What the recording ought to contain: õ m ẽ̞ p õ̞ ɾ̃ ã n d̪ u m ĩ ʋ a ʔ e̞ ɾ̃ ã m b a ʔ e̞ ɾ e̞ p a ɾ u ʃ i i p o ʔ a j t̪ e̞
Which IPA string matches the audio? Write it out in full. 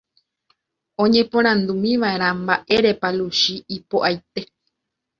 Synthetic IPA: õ ɲ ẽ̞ p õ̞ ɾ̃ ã n d̪ u m ĩ ʋ a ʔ e̞ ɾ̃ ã m b a ʔ e̞ ɾ e̞ p a l u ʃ i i p o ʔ a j t̪ e̞